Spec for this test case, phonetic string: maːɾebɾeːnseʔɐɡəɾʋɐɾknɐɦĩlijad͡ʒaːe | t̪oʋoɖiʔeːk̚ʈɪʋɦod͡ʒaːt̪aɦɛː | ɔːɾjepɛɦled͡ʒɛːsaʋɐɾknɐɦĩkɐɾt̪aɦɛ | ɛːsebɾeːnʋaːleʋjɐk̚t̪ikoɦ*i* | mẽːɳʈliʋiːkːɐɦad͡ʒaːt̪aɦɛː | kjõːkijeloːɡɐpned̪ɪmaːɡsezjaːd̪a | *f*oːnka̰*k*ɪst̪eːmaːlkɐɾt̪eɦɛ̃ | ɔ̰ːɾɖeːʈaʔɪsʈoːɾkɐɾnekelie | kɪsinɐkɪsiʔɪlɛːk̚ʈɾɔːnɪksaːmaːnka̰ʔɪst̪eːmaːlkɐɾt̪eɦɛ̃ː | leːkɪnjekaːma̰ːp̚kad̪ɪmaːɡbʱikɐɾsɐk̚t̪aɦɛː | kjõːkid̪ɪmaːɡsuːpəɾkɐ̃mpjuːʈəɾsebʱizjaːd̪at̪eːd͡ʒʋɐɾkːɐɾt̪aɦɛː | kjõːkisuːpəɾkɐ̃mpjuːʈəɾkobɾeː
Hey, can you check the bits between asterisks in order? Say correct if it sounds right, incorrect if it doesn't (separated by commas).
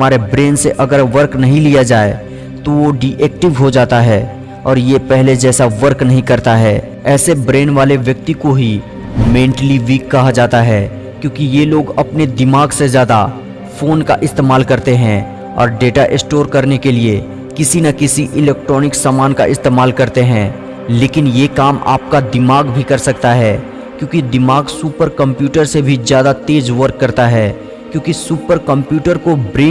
correct, correct, incorrect